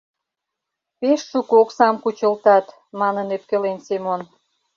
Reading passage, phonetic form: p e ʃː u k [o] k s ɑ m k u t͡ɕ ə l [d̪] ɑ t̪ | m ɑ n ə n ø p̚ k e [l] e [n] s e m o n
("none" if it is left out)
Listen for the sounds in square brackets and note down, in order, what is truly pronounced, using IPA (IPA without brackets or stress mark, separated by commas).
o, t̪, l, n